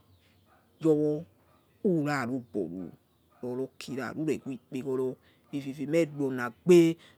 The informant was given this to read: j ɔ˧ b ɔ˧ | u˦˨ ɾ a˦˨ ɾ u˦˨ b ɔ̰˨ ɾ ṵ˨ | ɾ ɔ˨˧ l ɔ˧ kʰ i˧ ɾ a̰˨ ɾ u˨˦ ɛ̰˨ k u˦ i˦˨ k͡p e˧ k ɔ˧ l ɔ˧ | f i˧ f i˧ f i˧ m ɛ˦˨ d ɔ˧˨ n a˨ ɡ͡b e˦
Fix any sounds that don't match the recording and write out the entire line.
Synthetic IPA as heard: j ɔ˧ w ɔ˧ | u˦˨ ɾ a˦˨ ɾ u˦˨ b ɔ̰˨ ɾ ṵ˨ | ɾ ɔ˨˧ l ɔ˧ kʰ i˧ ɾ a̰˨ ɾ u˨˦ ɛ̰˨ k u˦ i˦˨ k͡p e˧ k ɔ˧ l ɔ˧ | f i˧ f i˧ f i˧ m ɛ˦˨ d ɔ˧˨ n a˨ ɡ͡b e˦